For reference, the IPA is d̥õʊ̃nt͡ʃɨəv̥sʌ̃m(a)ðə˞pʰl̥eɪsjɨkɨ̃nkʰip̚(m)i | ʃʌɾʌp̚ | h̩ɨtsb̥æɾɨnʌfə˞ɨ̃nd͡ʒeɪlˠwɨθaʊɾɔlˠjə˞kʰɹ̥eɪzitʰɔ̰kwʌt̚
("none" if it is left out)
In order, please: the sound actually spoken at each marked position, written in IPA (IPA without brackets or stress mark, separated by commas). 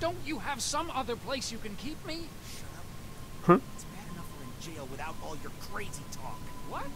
ʌ, m